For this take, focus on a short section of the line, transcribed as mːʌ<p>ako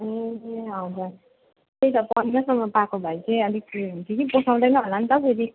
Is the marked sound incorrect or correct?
correct